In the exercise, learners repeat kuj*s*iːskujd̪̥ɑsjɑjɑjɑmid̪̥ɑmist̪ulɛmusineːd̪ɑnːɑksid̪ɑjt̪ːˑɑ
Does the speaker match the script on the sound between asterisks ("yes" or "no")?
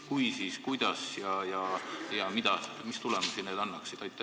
yes